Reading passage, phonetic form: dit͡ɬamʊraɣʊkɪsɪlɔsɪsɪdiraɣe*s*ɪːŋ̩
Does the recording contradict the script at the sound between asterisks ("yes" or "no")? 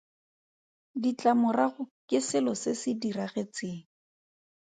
yes